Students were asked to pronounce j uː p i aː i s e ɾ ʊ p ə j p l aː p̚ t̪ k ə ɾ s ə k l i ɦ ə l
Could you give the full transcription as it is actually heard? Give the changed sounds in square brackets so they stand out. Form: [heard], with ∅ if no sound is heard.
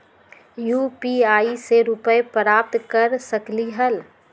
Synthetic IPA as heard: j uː p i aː i s e ɾ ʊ p ə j p [ɾ] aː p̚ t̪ k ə ɾ s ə k l i ɦ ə l